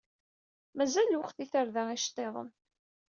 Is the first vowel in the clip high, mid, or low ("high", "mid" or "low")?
low